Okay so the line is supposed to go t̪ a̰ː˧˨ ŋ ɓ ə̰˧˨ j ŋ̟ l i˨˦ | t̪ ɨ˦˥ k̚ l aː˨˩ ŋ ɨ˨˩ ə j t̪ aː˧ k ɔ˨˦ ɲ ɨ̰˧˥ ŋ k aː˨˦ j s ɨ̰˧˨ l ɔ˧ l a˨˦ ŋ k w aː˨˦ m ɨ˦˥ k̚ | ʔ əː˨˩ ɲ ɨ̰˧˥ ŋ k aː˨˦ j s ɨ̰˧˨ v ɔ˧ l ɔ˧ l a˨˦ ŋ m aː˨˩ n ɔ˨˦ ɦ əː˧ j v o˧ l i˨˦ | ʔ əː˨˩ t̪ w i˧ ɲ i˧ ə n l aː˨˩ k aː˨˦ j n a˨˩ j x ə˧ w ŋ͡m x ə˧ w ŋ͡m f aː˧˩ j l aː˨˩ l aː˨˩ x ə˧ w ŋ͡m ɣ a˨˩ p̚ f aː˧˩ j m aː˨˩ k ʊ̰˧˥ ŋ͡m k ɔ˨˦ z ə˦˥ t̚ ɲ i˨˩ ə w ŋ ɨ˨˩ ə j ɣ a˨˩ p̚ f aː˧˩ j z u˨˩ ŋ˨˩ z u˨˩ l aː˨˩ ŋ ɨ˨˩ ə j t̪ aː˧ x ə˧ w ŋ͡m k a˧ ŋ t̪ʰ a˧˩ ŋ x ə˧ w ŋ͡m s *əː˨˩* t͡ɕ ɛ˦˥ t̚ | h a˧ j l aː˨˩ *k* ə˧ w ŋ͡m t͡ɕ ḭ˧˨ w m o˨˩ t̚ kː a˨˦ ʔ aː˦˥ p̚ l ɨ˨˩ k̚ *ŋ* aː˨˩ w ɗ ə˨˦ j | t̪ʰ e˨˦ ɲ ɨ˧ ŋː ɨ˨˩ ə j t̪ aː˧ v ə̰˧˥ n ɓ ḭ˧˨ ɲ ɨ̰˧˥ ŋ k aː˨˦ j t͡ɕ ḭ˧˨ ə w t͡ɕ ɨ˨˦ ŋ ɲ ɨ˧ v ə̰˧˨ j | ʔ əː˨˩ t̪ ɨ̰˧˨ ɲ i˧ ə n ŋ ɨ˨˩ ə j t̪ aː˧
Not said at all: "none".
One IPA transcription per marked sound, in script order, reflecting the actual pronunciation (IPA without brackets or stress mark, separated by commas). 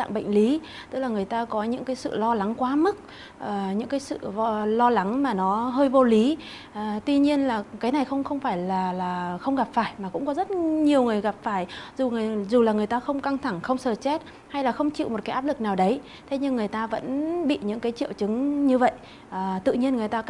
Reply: əː˨˩, x, n